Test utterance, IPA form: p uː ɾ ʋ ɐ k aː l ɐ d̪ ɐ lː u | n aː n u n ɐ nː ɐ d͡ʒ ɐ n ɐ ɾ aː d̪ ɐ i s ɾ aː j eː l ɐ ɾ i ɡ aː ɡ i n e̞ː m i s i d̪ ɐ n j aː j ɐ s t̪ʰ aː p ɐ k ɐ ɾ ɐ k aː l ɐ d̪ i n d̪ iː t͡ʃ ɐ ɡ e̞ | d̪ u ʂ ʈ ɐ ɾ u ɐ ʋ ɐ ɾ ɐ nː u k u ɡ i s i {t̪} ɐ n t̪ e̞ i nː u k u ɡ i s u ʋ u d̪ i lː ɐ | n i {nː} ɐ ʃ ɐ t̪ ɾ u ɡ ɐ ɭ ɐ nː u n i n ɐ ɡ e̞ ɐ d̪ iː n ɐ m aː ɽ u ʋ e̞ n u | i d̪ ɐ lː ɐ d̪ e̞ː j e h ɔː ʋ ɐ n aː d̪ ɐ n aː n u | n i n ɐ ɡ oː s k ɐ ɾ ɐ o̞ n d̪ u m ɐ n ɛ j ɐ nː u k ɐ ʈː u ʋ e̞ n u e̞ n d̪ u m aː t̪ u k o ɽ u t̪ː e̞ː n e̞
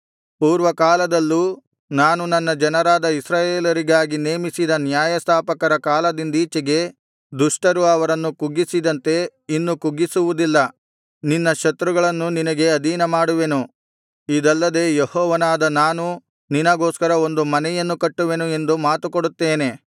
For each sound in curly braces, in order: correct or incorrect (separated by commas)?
incorrect, correct